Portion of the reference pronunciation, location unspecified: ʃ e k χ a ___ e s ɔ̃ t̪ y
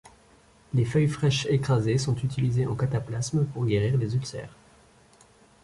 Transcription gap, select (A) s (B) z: B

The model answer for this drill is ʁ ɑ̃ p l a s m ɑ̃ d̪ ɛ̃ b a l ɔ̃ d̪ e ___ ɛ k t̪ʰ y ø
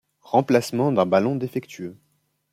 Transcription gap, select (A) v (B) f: B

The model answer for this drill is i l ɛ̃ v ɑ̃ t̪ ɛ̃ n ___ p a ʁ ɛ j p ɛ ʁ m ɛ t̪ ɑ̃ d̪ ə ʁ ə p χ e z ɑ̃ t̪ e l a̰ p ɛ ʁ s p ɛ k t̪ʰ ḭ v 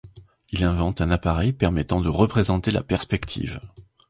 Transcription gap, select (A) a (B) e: A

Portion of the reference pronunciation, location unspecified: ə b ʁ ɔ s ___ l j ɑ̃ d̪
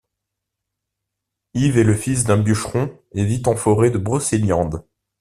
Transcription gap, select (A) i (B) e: B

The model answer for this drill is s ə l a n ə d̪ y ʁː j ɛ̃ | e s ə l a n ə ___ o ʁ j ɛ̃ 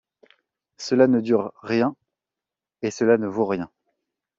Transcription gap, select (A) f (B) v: B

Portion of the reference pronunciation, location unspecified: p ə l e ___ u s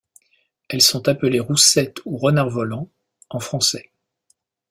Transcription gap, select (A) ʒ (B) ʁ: B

